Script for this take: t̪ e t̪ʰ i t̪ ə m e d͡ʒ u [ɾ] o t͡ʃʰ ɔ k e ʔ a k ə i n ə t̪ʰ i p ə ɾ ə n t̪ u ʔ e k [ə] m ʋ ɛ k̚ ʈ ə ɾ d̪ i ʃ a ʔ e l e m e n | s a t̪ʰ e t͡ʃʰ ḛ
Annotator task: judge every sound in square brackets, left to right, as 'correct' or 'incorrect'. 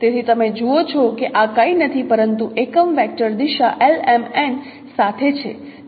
incorrect: none, correct

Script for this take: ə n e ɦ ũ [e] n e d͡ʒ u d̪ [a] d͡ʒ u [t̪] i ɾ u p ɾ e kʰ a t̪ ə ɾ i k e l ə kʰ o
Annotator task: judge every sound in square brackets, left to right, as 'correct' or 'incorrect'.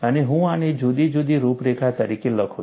incorrect: a, incorrect: i, incorrect: d̪

